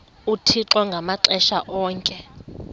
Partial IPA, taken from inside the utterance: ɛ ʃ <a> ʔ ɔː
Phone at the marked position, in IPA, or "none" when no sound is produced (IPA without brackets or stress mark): a